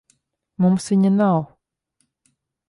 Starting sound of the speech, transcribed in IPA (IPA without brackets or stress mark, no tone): m